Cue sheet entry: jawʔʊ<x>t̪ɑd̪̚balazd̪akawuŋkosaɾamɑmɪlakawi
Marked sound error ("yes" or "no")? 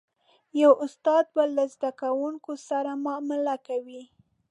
yes